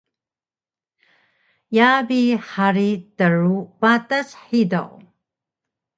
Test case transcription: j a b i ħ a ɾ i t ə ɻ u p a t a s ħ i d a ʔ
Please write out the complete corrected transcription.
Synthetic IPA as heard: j a b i ħ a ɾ i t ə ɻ u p a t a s ħ i d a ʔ